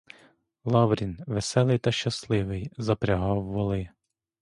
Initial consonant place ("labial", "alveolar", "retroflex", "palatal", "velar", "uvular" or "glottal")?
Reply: alveolar